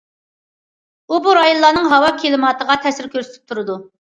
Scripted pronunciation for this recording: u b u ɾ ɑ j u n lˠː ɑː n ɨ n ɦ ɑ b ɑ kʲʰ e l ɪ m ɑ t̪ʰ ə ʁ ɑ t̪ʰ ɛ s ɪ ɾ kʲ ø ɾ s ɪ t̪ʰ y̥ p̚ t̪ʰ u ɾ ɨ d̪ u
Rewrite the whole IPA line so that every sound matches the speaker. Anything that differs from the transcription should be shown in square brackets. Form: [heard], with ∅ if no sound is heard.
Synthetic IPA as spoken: u b u ɾ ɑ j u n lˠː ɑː n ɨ [ŋ] ɦ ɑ [w] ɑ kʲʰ e l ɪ m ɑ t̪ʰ ə ʁ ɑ t̪ʰ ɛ s ɪ ɾ kʲ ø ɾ s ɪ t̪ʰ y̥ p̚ t̪ʰ u ɾ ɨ d̪ u

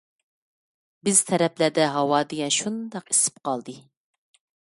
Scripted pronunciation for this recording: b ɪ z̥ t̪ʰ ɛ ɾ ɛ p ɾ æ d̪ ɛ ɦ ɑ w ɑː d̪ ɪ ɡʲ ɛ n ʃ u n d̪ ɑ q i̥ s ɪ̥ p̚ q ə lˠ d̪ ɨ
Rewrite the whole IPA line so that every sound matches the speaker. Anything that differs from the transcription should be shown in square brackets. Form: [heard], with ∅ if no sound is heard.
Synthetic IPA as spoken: b ɪ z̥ t̪ʰ ɛ ɾ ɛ p [l] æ d̪ ɛ ɦ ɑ w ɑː d̪ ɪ ɡʲ ɛ n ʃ u n d̪ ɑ q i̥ s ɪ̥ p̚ q [ɑ] lˠ d̪ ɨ

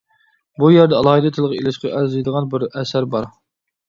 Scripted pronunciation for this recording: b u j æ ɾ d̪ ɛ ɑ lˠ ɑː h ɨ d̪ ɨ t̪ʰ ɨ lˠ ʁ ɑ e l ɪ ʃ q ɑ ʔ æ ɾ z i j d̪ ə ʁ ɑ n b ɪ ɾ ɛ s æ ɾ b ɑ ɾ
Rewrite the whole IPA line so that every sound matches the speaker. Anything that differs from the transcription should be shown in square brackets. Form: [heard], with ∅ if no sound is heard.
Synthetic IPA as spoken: b u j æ ɾ d̪ ɛ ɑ lˠ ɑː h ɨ d̪ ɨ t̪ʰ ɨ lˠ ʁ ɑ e l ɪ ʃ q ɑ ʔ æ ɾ z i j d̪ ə ʁ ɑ n b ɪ ɾ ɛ s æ ɾ b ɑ ɾ

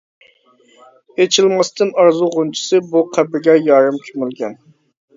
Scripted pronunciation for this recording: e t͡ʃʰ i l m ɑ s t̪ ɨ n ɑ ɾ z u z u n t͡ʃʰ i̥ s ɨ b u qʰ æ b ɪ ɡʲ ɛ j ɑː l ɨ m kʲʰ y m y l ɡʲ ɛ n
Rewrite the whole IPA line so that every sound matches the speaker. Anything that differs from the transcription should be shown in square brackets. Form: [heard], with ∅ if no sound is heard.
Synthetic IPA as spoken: e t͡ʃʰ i l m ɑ s t̪ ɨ n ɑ ɾ z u [ʁ] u n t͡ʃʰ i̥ s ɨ b u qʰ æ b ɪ ɡʲ ɛ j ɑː [ɾ] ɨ m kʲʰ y m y l ɡʲ ɛ n

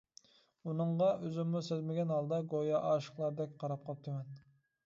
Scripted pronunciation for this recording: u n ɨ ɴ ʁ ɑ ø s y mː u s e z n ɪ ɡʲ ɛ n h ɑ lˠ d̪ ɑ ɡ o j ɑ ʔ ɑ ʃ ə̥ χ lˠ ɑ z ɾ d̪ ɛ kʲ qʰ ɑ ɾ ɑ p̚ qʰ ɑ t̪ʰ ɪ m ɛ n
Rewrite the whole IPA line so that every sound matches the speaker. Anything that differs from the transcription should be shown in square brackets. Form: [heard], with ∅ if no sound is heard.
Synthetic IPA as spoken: u n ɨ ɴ ʁ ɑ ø [z] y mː u s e z [m] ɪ ɡʲ ɛ n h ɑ lˠ d̪ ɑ ɡ o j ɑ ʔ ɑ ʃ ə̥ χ lˠ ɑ [∅] ɾ d̪ ɛ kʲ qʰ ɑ ɾ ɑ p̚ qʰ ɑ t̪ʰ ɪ m ɛ n

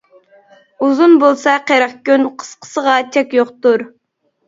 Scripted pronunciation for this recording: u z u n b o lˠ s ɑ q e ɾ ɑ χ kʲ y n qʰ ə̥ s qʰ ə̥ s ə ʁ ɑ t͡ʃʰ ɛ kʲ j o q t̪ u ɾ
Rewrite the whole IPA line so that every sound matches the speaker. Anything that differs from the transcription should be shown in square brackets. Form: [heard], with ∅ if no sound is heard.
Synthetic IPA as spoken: u z u n b o lˠ s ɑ q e ɾ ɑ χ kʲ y n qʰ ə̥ s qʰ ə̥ s ə ʁ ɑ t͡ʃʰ ɛ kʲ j o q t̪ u ɾ

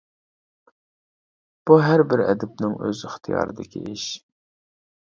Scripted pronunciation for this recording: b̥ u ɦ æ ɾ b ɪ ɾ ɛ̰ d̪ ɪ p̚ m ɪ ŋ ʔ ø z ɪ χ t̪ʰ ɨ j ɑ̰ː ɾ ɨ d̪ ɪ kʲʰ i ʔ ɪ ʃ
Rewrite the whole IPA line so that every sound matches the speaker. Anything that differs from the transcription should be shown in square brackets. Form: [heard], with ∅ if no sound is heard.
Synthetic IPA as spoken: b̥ u ɦ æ ɾ b ɪ ɾ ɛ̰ d̪ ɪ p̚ [n] ɪ ŋ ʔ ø z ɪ χ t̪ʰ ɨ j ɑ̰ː ɾ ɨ d̪ ɪ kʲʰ i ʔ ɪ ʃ

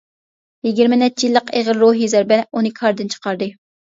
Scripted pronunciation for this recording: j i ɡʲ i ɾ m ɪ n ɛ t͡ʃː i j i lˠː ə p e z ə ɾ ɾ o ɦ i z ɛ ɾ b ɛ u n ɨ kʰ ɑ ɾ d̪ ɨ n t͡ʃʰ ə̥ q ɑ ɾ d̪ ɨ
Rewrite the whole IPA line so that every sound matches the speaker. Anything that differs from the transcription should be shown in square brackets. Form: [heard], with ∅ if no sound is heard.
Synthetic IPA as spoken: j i ɡʲ i ɾ m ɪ n ɛ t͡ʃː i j i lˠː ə [q] e [ʁ] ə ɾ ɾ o ɦ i z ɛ ɾ b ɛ u n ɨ kʰ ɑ ɾ d̪ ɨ n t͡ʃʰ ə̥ q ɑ ɾ d̪ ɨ

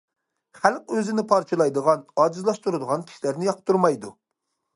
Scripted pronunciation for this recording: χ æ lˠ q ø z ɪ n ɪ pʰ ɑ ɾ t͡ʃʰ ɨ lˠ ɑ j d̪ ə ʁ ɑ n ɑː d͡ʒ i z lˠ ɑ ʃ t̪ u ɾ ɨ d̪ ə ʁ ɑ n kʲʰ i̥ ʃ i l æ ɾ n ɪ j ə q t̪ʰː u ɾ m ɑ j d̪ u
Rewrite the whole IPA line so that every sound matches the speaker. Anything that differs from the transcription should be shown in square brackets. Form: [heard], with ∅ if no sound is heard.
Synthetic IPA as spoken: χ æ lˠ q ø z ɪ n ɪ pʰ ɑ ɾ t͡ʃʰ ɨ lˠ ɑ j d̪ ə ʁ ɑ n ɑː d͡ʒ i z lˠ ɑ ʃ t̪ u ɾ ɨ d̪ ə ʁ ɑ n kʲʰ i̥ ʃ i l æ ɾ n ɪ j [ɑ] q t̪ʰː u ɾ m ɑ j d̪ u

